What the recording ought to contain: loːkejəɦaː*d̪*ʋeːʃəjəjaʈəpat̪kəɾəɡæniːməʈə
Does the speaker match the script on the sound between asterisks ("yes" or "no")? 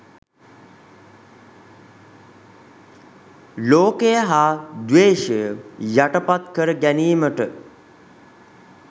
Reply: yes